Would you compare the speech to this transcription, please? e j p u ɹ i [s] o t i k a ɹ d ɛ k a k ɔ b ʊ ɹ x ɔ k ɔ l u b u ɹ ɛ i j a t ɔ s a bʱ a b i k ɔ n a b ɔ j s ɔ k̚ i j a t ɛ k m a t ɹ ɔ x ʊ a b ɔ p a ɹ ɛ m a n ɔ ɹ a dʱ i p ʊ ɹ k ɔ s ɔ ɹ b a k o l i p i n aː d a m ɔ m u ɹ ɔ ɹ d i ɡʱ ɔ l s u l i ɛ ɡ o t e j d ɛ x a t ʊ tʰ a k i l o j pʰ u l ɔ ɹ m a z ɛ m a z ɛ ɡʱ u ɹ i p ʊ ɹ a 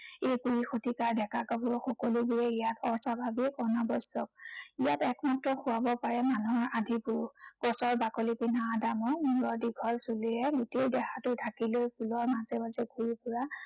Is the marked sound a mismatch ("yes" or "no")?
yes